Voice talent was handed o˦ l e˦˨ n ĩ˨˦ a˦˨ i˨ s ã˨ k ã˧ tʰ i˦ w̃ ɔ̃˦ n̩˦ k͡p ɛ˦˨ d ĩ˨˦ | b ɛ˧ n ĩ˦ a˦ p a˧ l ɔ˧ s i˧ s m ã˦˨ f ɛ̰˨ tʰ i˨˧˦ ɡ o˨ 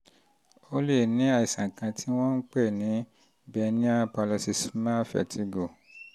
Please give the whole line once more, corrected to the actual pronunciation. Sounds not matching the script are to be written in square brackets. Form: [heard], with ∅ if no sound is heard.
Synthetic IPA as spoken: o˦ l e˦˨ n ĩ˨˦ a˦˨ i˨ s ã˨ k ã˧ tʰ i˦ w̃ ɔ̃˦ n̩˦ k͡p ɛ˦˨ [n] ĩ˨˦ | b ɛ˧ n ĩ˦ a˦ p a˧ l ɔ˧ s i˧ s m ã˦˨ f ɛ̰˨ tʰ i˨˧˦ ɡ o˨